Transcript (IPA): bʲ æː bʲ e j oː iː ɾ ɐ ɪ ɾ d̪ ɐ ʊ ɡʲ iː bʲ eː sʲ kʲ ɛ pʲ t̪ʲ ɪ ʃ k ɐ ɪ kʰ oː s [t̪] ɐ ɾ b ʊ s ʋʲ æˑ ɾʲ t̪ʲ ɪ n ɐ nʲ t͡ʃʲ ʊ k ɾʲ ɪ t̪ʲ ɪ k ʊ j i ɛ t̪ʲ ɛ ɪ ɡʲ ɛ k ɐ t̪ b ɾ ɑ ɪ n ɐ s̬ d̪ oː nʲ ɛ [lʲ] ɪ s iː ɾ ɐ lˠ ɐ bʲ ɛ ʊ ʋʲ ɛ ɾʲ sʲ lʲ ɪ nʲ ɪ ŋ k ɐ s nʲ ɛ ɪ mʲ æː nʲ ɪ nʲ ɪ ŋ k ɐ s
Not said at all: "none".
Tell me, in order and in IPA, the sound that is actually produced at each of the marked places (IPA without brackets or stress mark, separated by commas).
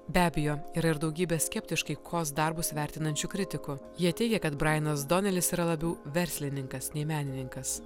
d̪, lʲ